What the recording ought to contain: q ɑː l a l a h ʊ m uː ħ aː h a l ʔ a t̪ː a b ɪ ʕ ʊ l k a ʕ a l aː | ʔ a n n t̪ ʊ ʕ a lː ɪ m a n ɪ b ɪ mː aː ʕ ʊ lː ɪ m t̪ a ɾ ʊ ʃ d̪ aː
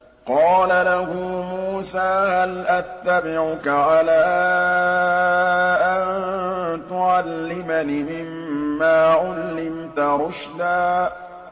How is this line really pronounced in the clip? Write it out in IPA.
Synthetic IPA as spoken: q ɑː l a l a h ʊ m uː s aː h a l ʔ a t̪ː a b ɪ ʕ ʊ k a ʕ a l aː | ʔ a n n t̪ ʊ ʕ a lː ɪ m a n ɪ m ɪ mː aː ʕ ʊ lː ɪ m t̪ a ɾ ʊ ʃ d̪ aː